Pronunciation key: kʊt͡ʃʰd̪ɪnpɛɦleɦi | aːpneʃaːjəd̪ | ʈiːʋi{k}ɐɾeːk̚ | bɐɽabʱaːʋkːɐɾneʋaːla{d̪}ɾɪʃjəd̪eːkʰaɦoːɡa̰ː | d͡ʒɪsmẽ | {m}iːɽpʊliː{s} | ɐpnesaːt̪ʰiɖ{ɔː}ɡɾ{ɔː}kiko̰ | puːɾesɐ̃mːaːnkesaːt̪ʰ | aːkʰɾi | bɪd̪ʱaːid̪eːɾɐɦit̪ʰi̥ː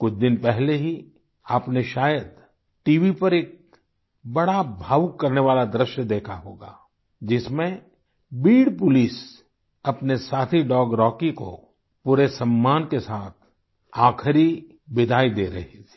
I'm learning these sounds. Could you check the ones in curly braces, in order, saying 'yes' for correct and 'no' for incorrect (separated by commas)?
no, yes, no, yes, yes, yes